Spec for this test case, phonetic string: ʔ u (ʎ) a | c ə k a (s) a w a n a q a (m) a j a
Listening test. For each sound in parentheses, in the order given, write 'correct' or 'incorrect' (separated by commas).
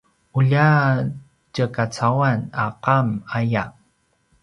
correct, incorrect, correct